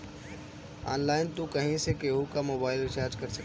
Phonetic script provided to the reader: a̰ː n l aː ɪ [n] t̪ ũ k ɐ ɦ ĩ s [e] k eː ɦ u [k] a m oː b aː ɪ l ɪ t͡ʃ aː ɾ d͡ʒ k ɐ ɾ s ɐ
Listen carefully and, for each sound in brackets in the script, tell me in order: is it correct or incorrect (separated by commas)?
correct, correct, correct